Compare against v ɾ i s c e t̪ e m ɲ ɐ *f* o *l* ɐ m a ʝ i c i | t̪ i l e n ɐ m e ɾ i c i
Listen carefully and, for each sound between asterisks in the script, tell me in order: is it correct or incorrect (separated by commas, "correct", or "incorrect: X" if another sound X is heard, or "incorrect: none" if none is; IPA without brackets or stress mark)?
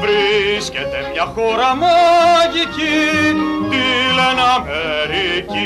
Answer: incorrect: x, incorrect: ɾ